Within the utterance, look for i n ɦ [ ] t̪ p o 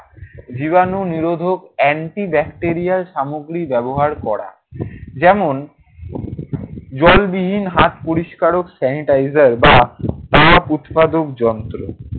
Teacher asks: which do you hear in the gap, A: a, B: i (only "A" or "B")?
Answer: A